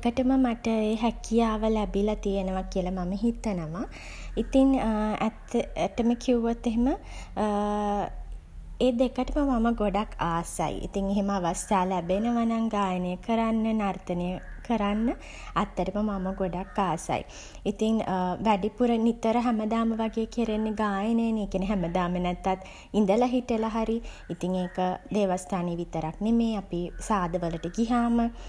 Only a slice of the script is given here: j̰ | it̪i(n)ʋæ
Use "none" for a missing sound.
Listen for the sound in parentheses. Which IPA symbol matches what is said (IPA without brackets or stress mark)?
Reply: ŋ